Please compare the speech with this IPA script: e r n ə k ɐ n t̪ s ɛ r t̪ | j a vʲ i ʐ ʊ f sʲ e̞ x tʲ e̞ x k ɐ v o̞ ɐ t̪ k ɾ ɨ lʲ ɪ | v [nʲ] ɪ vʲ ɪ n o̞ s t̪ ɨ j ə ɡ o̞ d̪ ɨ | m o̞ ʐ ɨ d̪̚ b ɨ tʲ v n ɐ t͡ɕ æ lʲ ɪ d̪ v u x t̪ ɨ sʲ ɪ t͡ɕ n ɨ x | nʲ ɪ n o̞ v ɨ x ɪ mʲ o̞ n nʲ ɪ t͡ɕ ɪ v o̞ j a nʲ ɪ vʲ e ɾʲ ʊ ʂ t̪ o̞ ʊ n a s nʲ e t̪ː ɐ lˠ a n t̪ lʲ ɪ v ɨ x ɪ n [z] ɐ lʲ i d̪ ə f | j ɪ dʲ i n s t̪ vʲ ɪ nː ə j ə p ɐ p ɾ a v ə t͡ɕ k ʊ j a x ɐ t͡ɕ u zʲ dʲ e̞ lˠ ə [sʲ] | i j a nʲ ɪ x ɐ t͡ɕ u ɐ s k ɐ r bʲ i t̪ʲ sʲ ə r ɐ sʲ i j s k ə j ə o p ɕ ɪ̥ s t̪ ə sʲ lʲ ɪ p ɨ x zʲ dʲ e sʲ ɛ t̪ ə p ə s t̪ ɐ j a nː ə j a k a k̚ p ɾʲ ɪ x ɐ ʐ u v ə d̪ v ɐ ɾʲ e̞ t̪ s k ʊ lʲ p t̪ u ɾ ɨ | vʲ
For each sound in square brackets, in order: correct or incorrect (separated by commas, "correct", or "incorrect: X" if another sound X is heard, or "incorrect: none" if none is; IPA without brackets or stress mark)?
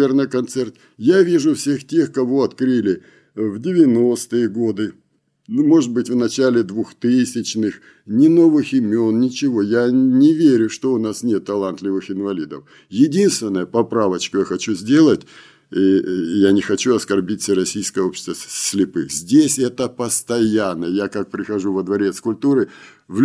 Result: incorrect: dʲ, incorrect: v, incorrect: tʲ